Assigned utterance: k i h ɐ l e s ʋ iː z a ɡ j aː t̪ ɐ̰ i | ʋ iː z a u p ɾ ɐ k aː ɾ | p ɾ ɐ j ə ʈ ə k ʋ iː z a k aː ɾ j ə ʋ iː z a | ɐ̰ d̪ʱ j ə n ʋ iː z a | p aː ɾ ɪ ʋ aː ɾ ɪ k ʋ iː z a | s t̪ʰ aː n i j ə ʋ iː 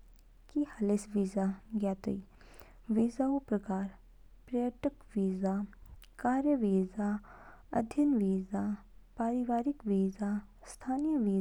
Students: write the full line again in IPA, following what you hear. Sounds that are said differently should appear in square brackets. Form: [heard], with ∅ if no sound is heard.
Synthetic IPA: k i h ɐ l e s ʋ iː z a ɡ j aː t̪ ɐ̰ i | ʋ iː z a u p ɾ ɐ k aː ɾ | p ɾ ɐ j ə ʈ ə k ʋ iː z a k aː ɾ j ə ʋ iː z a | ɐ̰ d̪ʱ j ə n ʋ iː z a | p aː ɾ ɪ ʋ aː ɾ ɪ k ʋ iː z a | s t̪ʰ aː n i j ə ʋ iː